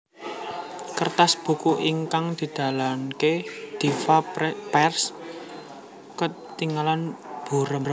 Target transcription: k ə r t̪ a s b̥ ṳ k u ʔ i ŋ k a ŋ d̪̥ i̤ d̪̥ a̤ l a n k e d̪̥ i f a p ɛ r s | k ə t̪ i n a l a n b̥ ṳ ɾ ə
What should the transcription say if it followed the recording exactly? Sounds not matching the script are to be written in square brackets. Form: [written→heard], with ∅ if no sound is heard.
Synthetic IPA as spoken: k ə r t̪ a s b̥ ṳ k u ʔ i ŋ k a ŋ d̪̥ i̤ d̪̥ a̤ l a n k e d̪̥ i f a p ɛ r s | k ə t̪ i [n→ŋ] a l a n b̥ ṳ ɾ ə